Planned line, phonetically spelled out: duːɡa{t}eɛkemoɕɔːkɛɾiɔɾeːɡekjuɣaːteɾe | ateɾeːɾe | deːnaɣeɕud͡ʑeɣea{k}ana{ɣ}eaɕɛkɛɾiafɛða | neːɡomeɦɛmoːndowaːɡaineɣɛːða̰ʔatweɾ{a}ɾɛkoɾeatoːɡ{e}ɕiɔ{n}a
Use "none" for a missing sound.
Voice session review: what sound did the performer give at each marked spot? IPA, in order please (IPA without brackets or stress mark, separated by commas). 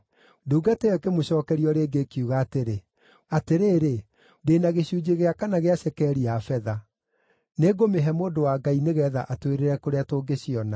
t, k, ɣ, e, e, n